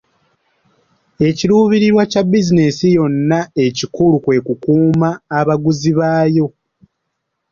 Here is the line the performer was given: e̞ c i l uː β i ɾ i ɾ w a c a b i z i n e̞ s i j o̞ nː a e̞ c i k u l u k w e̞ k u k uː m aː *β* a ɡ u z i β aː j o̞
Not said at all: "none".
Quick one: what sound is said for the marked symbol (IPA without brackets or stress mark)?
β